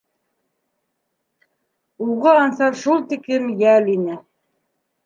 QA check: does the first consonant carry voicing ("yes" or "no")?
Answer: yes